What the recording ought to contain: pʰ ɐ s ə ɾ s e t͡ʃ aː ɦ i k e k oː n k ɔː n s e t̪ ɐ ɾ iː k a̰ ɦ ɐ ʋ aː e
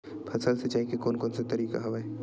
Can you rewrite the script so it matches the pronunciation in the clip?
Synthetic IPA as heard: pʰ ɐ s ə l s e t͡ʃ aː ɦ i k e k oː n k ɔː n s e t̪ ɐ ɾ iː k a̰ ɦ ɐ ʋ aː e